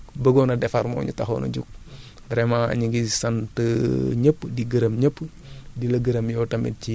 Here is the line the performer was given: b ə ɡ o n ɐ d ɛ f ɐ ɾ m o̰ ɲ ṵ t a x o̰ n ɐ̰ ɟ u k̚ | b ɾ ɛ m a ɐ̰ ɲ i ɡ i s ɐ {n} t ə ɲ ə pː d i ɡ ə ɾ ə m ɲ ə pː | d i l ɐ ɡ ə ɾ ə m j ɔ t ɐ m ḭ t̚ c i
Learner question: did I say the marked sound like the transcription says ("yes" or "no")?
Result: yes